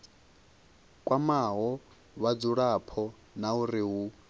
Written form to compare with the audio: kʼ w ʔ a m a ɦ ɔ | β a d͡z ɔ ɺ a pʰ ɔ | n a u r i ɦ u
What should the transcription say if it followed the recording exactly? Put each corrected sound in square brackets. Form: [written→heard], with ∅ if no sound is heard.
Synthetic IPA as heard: kʼ w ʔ a m a ɦ ɔ | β a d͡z [ɔ→u] ɺ a pʰ ɔ | n a u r i ɦ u